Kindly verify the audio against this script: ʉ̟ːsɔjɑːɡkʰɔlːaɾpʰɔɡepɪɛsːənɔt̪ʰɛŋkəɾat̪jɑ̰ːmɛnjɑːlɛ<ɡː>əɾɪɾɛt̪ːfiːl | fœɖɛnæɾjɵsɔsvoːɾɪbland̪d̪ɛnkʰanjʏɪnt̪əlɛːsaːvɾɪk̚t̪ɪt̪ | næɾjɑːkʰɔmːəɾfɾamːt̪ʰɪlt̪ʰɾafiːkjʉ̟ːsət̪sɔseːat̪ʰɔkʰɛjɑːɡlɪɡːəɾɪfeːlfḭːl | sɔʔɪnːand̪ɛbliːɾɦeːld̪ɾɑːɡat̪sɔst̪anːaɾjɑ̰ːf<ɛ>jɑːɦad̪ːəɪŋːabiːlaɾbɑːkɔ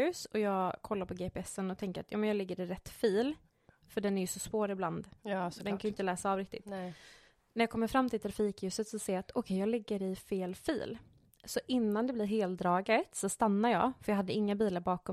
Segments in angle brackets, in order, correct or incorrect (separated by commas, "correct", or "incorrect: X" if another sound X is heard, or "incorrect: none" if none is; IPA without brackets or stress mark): correct, incorrect: œ